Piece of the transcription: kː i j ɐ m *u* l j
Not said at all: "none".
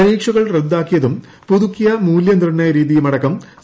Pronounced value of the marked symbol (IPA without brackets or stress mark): uː